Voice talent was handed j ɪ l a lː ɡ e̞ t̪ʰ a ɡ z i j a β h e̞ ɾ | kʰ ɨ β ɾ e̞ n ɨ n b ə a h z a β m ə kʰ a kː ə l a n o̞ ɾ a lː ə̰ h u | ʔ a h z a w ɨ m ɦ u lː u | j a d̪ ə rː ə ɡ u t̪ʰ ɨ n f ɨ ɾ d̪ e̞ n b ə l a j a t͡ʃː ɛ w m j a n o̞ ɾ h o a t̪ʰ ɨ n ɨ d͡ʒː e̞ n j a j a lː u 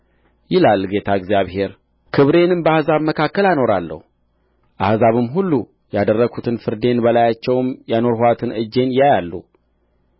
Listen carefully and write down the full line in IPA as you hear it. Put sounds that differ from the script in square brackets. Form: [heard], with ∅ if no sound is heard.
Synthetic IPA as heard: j ɪ l a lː ɡ e̞ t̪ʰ a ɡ z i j a β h e̞ ɾ | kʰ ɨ β ɾ e̞ n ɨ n b ə a h z a β m ə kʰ a kː ə l a n o̞ ɾ a lː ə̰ h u | ʔ a h z a [β] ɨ m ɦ u lː u | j a d̪ ə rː ə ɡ u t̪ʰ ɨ n f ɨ ɾ d̪ e̞ n b ə l a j a t͡ʃː ɛ w m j a n o̞ ɾ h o a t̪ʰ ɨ n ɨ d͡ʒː e̞ n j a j a lː u